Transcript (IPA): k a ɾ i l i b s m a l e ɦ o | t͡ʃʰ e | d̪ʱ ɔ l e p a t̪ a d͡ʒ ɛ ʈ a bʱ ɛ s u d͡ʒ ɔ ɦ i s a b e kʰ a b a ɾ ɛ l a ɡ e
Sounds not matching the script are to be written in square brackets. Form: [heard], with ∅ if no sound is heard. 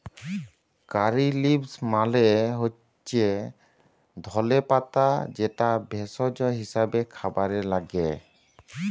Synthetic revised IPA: k a ɾ i l i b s m a l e ɦ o | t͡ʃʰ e | d̪ʱ ɔ l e p a t̪ a d͡ʒ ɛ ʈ a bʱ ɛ s [ɔ] d͡ʒ ɔ ɦ i s a b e kʰ a b a ɾ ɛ l a ɡ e